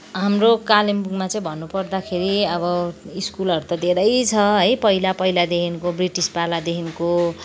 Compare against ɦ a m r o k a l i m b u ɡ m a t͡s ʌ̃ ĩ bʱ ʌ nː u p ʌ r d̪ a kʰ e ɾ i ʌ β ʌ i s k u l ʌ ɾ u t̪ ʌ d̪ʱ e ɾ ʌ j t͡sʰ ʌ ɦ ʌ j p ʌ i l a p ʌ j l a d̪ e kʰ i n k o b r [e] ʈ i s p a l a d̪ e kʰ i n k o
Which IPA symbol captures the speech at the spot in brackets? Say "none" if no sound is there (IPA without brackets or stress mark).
i